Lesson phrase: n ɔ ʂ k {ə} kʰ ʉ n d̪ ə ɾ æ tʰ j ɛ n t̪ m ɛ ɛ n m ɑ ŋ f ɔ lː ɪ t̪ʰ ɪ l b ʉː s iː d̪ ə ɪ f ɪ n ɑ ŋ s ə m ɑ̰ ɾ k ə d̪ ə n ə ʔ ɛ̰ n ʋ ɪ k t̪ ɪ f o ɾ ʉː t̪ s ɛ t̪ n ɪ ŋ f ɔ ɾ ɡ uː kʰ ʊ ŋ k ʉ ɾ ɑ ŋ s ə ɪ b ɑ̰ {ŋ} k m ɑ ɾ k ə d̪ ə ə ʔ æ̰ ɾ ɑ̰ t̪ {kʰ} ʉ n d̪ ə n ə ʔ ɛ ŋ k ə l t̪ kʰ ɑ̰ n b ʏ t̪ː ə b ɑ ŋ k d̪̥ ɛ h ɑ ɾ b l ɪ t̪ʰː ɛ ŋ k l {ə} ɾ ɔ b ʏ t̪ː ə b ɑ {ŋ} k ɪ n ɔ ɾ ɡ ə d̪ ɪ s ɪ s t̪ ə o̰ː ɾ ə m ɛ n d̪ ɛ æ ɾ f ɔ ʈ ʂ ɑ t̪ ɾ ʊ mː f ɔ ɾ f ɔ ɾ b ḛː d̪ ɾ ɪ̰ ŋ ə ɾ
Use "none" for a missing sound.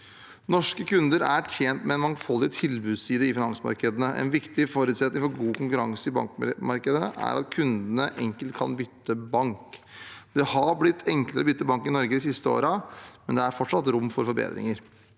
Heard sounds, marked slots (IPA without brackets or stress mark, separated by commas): ə, ŋ, kʰ, ə, ŋ